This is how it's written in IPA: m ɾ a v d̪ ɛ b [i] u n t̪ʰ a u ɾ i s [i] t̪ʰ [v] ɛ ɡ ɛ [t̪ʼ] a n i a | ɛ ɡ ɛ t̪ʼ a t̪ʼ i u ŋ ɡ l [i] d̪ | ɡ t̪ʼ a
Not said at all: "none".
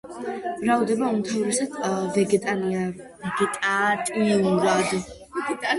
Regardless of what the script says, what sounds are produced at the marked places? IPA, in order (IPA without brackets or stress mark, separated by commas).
a, a, v, t̪ʼ, a